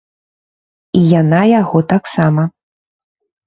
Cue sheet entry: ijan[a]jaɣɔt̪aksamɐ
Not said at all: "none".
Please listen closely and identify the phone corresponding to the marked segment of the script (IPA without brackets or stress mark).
a